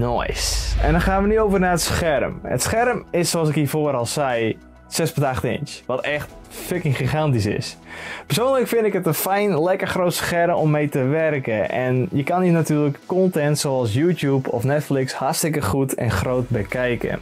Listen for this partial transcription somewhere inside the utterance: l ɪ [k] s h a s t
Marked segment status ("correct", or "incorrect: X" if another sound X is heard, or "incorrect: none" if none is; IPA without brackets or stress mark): correct